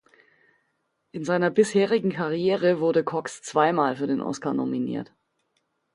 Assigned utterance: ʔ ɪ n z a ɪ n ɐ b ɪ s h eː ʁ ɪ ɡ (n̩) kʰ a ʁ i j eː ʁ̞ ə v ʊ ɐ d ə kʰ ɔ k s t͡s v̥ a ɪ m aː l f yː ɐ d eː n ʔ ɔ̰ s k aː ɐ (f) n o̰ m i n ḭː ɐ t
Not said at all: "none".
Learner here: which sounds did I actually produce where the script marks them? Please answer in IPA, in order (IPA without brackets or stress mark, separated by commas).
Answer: ŋ̩, none